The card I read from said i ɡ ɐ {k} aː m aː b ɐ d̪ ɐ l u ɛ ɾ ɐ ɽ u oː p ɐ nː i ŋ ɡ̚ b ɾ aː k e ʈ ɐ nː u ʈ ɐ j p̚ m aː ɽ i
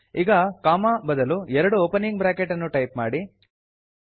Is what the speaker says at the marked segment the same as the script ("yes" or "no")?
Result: yes